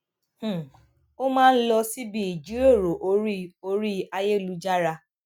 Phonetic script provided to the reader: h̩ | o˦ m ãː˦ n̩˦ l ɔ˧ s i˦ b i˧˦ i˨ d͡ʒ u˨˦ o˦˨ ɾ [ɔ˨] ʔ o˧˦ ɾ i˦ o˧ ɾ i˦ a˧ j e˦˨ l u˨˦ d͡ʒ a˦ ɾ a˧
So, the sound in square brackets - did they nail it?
no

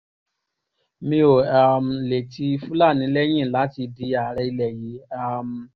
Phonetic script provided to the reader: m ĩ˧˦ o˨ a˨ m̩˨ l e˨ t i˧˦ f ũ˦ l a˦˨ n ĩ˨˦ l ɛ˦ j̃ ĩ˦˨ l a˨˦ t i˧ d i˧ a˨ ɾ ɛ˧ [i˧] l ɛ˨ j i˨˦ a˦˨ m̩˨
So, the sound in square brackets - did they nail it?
yes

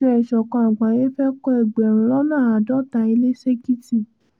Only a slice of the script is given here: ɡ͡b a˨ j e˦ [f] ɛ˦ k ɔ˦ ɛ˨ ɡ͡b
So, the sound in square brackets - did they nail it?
yes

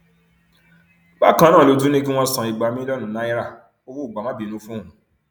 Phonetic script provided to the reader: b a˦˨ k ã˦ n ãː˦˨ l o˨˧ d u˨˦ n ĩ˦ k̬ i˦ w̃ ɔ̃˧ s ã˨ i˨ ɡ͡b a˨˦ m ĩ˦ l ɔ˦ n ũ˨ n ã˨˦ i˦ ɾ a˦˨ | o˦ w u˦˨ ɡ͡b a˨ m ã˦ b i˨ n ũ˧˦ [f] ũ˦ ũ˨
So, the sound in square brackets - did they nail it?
yes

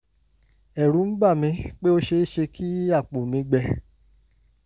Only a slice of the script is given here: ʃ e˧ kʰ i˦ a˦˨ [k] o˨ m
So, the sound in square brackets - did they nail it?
no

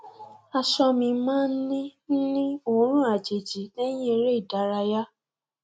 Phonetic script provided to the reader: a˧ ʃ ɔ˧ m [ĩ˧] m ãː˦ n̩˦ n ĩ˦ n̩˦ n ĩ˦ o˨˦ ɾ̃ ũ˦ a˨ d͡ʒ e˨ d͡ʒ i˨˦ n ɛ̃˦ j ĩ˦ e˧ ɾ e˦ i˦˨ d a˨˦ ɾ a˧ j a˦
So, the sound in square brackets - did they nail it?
yes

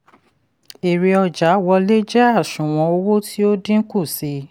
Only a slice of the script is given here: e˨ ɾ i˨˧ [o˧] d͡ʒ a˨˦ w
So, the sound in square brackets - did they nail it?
no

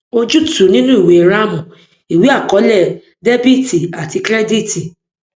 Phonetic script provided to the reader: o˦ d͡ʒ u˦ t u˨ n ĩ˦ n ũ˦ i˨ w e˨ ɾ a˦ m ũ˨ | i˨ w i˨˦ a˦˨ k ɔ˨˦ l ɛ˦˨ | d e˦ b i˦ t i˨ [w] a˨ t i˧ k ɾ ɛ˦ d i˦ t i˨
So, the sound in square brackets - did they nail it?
no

